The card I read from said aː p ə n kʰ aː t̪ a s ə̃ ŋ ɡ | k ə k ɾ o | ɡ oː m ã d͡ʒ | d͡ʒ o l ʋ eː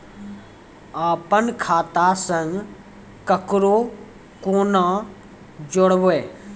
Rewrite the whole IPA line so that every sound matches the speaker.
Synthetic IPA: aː p ə n kʰ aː t̪ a s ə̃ ŋ ɡ | k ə k ɾ o | k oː n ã | d͡ʒ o ɽ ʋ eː